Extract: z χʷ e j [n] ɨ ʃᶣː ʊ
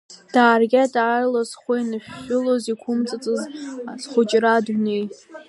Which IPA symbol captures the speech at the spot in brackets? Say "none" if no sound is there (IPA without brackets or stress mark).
n